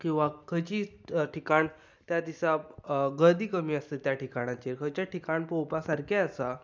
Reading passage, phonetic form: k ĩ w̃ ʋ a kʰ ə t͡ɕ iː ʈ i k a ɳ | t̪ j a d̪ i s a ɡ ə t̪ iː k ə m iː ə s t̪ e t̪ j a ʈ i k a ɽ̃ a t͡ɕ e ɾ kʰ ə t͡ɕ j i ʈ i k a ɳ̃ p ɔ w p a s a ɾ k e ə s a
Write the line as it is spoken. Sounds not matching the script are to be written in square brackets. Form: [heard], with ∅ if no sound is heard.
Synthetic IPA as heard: k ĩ w̃ ʋ a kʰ ə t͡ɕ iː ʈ i k a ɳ | t̪ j a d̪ i s a ɡ ə [d̪] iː k ə m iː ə s t̪ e t̪ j a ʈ i k a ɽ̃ a t͡ɕ e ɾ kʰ ə t͡ɕ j [a] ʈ i k a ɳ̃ p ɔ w p a s a ɾ k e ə s a